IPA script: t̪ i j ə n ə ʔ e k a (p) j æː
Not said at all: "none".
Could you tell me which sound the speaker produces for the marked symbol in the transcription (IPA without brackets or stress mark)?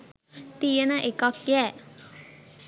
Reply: k